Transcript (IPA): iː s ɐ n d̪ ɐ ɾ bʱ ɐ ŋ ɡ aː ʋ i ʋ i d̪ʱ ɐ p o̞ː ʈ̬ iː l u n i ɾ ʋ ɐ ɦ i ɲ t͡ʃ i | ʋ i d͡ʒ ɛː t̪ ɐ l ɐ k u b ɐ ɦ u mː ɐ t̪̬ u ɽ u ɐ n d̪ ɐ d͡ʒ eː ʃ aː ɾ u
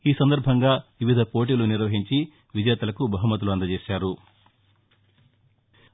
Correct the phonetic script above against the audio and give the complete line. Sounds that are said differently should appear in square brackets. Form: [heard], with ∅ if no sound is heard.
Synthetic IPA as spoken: iː s ɐ n d̪ ɐ ɾ bʱ ɐ ŋ ɡ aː ʋ i ʋ i d̪ʱ ɐ p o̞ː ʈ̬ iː l u n i ɾ ʋ ɐ ɦ i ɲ t͡ʃ i | ʋ i d͡ʒ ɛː t̪ ɐ l ɐ k u b ɐ ɦ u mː ɐ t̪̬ u [l] u ɐ n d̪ ɐ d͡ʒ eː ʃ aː ɾ u